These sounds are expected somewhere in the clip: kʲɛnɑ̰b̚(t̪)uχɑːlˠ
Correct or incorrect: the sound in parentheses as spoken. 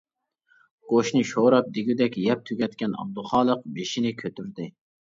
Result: incorrect: d̪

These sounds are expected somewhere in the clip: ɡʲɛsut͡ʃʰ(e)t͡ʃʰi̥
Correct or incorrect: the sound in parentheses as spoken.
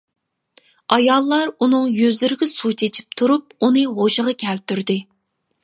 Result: correct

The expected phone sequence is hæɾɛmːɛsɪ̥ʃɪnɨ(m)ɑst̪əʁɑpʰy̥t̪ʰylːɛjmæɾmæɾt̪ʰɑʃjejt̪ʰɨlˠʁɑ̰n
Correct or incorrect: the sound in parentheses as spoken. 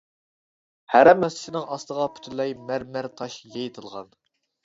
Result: incorrect: ŋ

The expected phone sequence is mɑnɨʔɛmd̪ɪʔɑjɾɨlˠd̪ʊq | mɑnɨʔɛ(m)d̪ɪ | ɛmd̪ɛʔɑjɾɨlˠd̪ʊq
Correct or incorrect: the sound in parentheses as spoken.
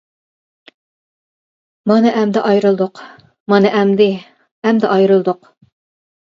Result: correct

